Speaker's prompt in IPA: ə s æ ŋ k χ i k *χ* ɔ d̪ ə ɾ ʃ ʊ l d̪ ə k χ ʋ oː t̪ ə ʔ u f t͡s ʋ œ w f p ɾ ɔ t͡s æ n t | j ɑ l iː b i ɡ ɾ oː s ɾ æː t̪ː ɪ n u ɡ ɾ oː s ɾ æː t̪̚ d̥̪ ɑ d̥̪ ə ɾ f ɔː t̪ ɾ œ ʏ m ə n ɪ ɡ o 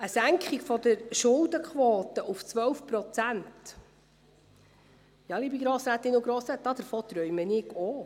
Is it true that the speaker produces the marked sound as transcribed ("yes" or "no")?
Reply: no